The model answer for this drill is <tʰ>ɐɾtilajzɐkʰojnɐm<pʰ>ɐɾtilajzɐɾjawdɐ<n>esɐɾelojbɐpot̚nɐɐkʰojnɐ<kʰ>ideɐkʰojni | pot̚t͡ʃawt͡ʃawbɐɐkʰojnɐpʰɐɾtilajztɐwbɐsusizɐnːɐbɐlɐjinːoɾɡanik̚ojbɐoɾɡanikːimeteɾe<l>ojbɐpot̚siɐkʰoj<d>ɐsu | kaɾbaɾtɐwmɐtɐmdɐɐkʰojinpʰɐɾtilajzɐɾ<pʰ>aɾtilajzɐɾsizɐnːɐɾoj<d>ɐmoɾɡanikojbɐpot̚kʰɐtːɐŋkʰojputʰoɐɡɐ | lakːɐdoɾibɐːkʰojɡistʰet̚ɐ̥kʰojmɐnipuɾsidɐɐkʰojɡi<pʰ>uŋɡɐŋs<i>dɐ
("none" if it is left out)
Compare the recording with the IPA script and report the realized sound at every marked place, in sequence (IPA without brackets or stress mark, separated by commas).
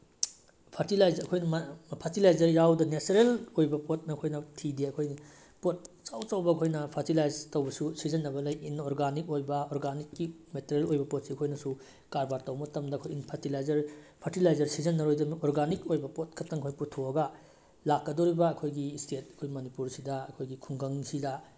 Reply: pʰ, pʰ, n, tʰ, l, n, pʰ, d, kʰ, i